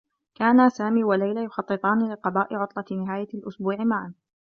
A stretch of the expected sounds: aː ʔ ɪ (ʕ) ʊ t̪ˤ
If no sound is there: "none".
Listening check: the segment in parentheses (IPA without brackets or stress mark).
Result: ʕ